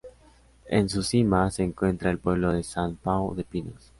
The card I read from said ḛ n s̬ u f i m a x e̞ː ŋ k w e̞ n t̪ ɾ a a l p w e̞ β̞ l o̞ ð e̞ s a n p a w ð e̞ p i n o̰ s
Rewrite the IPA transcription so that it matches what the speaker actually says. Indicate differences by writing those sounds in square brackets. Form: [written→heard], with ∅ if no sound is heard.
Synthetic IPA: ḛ n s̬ u [f→s] i m a [x→s] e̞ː ŋ k w e̞ n t̪ ɾ a [a→e] l p w e̞ β̞ l o̞ ð e̞ s a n p a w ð e̞ p i n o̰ s